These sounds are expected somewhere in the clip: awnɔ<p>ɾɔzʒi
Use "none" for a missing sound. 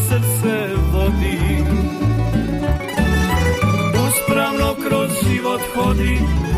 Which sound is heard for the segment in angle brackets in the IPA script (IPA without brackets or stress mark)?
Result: k